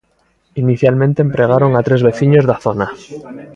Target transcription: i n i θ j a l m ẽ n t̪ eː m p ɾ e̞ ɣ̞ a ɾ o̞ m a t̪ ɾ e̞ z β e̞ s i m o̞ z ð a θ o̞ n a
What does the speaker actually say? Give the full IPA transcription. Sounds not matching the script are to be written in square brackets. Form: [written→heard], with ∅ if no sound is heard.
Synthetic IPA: i n i θ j a l m ẽ n t̪ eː m p ɾ e̞ ɣ̞ a ɾ o̞ [m→ŋ] a t̪ ɾ e̞ z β e̞ [s→θ] i [m→ɲ] o̞ z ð a θ o̞ n a